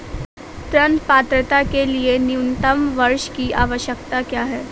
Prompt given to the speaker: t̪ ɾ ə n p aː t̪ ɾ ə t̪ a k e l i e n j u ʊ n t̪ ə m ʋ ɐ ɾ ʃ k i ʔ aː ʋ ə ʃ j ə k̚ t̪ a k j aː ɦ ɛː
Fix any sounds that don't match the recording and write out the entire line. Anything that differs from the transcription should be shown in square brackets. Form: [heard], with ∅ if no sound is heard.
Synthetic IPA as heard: t̪ ɾ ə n p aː t̪ ɾ ə t̪ a k e l i e n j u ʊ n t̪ ə m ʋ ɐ ɾ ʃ k i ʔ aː ʋ ə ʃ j ə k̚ t̪ a k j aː ɦ ɛː